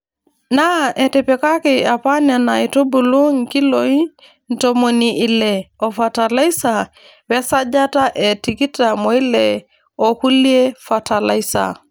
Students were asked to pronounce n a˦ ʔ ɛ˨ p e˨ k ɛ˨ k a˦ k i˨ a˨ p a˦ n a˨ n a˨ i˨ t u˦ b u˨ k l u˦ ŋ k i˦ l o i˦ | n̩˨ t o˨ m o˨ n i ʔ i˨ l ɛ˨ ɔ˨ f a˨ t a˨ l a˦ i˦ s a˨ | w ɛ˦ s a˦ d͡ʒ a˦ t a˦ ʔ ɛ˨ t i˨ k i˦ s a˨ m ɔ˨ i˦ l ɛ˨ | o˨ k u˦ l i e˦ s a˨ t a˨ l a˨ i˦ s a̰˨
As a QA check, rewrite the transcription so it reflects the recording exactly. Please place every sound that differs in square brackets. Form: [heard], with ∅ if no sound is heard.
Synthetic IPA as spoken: n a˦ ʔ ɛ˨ [t] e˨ [p] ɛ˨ k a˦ k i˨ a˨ p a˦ n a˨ n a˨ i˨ t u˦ b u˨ [∅] l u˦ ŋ k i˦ l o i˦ | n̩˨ t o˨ m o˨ n i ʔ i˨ l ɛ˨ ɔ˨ f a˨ t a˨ l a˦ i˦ s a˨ | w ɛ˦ s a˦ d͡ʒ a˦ t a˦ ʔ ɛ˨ t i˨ k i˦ [t] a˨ m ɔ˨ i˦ l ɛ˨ | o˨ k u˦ l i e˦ [f] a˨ t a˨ l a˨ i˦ s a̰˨